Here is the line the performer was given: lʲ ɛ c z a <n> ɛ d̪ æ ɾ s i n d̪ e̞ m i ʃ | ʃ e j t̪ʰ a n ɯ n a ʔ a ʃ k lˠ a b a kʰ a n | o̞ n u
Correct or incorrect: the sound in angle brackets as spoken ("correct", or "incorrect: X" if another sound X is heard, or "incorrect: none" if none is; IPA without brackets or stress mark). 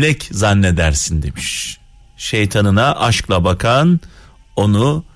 incorrect: nː